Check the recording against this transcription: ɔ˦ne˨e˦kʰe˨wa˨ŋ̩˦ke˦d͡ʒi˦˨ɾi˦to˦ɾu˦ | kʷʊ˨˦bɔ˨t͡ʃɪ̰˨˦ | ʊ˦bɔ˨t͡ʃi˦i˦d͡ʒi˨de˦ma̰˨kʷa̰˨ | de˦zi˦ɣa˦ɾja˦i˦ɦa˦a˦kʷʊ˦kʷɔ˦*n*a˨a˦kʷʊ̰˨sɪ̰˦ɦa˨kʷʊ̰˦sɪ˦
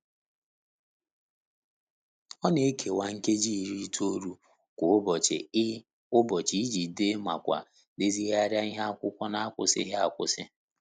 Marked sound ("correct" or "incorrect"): correct